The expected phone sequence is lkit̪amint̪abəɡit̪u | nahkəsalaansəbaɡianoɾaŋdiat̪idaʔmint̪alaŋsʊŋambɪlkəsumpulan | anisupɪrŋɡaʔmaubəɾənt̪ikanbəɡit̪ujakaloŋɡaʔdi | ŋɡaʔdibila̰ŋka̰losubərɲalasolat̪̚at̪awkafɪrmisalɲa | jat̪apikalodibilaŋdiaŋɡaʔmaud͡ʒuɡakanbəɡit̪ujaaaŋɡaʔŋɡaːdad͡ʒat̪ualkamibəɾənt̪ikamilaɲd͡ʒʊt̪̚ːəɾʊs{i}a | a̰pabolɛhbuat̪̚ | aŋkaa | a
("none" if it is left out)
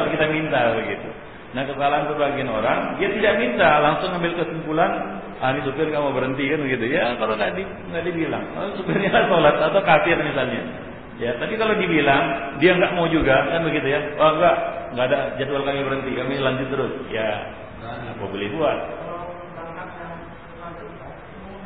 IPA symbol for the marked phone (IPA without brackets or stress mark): j